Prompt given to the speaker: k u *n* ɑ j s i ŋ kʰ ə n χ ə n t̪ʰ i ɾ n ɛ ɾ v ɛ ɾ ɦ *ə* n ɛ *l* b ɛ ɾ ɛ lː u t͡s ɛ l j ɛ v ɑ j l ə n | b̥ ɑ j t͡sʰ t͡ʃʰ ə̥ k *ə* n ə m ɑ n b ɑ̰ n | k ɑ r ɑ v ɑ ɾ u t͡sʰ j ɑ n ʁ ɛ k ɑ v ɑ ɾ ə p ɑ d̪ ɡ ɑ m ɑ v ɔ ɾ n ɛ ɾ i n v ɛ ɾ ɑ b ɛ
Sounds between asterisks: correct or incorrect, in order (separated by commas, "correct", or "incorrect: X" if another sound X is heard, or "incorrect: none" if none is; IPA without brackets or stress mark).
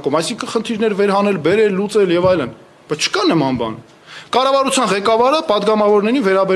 incorrect: m, incorrect: ɑ, correct, incorrect: ɑ